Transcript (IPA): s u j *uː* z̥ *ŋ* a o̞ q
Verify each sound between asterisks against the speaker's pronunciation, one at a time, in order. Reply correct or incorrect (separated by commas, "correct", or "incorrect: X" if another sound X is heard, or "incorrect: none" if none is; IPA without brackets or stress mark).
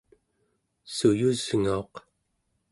incorrect: u, correct